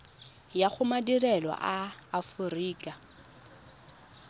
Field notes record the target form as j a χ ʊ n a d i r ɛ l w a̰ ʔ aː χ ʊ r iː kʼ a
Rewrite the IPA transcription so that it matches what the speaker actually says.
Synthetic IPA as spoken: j a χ ʊ m a d i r ɛ l w a̰ ʔ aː f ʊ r iː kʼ a